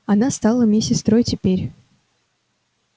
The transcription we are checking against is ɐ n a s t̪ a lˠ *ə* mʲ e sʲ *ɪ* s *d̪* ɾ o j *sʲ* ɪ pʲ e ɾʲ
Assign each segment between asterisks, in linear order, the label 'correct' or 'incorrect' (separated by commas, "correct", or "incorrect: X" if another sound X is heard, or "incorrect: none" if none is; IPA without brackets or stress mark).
correct, correct, incorrect: t̪, incorrect: tʲ